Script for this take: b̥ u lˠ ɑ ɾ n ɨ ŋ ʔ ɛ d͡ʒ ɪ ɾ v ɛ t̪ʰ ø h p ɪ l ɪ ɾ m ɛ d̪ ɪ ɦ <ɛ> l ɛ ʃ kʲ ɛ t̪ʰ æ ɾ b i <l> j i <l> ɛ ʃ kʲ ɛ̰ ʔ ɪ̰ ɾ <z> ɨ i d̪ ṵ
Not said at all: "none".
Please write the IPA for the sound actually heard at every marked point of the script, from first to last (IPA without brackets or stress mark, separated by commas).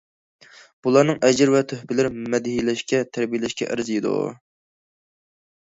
i, none, l, z